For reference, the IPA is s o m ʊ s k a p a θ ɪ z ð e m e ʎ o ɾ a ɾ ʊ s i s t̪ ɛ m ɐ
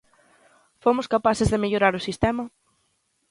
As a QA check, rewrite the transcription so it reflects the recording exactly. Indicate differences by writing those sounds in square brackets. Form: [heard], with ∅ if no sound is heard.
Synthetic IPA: [f] o m ʊ s k a p a θ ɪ z ð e m e ʎ o ɾ a ɾ ʊ s i s t̪ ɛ m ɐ